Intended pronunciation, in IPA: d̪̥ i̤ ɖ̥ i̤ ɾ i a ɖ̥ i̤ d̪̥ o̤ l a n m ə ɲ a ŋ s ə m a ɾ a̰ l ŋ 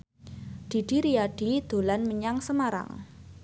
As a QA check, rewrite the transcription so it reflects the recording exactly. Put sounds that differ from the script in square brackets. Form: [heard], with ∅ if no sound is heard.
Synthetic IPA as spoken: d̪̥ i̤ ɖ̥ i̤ ɾ i a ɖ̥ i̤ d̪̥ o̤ l a n m ə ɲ a ŋ s ə m a ɾ a̰ [∅] ŋ